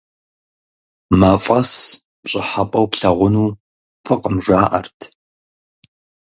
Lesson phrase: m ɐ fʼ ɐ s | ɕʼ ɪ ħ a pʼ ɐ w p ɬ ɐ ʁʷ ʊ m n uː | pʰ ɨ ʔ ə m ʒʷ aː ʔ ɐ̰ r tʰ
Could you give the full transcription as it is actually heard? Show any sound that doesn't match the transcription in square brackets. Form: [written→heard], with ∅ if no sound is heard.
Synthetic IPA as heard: m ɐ fʼ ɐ s | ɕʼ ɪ ħ a pʼ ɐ w p ɬ ɐ ʁʷ ʊ [m→∅] n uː | pʰ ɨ [ʔ→q] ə m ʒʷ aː ʔ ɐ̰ r tʰ